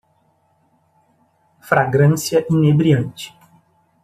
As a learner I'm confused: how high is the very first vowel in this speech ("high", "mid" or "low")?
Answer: low